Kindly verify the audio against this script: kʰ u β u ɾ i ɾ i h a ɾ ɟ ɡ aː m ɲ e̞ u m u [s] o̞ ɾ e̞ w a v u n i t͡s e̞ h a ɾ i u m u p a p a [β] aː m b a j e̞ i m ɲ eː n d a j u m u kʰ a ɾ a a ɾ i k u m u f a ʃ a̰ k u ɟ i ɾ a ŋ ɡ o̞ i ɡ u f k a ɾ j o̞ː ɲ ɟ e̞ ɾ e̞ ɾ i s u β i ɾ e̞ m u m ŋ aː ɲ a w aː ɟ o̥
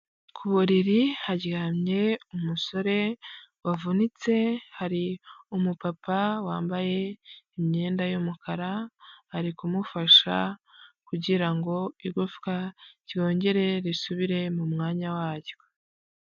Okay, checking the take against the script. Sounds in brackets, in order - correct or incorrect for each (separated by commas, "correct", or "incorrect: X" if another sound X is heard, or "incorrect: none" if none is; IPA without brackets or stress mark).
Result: correct, incorrect: w